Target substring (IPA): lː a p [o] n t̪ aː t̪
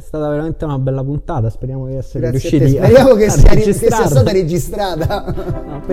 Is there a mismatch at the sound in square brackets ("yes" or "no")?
yes